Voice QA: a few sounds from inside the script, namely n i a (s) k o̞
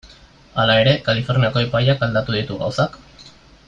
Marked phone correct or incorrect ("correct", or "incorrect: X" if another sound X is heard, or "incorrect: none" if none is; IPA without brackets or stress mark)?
incorrect: none